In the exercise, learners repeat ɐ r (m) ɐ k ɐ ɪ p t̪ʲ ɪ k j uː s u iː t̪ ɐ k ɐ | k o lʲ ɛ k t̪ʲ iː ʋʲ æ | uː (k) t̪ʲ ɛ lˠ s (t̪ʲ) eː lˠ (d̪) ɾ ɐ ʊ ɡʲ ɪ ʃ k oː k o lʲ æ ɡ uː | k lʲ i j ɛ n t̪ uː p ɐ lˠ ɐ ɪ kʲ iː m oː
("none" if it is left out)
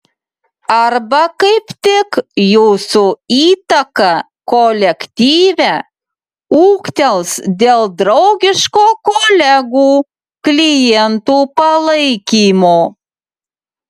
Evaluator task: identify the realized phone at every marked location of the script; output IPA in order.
b, k, d̪ʲ, d̪

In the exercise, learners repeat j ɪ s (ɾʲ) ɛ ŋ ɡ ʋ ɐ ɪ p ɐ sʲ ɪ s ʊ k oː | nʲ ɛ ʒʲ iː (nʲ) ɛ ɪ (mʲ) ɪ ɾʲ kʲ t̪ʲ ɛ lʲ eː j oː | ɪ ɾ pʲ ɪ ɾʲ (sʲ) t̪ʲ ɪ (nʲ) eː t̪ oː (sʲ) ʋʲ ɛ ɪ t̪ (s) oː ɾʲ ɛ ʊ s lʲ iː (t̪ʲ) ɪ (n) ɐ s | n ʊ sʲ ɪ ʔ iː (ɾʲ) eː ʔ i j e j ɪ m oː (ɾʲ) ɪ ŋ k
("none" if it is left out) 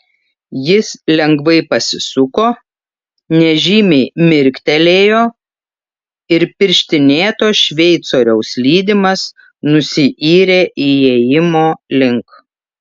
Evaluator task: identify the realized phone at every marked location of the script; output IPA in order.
lʲ, mʲ, mʲ, ʃʲ, nʲ, ʃʲ, s, d̪ʲ, m, ɾʲ, lʲ

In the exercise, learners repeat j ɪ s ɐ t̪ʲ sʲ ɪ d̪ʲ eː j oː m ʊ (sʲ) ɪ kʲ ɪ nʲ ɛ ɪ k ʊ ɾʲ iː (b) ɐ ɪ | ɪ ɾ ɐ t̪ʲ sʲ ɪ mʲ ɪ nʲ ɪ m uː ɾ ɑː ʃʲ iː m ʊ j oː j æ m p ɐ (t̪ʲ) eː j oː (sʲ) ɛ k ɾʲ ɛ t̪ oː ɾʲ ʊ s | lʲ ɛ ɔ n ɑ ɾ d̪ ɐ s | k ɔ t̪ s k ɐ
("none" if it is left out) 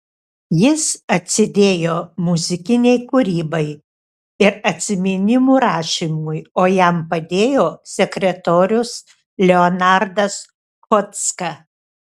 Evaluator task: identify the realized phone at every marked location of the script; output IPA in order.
zʲ, b, d̪ʲ, sʲ

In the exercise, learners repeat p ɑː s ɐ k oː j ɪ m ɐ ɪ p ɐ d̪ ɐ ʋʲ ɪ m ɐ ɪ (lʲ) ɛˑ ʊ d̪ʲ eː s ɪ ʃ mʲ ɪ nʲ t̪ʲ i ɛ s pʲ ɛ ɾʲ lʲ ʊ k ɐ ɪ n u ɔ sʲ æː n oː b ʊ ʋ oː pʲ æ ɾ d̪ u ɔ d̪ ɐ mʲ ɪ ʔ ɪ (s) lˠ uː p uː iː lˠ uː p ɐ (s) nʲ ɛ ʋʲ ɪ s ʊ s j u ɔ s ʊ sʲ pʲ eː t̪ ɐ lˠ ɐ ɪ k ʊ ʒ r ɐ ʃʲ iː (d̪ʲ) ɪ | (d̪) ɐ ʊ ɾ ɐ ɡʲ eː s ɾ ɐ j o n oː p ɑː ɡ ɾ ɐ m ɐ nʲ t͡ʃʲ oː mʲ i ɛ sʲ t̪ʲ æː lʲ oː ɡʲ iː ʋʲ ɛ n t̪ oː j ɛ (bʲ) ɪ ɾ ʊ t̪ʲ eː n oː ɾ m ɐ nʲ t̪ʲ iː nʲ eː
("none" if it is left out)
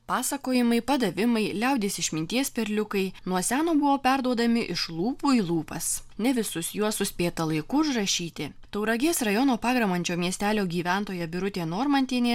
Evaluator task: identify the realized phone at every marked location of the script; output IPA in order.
lʲ, ʃ, s, t̪ʲ, t̪, bʲ

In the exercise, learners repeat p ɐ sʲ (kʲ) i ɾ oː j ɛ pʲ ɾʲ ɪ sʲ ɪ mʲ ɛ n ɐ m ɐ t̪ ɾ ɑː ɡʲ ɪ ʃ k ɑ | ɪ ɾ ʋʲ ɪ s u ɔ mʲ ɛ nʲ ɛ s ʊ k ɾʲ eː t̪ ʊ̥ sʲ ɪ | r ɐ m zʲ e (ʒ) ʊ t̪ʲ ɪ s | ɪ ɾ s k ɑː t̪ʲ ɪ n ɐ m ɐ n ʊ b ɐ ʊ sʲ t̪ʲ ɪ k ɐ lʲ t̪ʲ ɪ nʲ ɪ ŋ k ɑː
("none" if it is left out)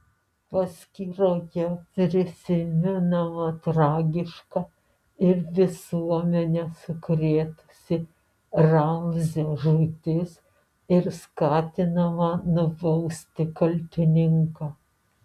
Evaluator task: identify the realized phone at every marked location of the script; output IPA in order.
kʲ, ʒ

